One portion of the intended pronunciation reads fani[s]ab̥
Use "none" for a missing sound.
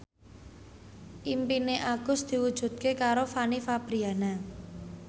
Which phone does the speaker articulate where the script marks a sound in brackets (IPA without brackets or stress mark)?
f